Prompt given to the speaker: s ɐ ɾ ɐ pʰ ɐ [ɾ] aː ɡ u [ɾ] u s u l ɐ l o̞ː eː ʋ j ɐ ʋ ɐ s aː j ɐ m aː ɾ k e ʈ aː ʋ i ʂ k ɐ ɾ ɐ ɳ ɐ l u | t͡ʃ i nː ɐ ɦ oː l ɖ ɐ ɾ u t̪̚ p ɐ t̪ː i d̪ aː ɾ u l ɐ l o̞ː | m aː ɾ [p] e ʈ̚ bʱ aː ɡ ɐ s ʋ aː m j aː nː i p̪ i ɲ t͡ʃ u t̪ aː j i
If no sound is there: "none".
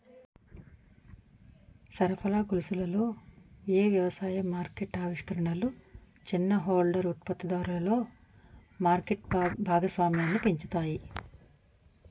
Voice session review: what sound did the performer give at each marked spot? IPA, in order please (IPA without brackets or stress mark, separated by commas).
l, l, k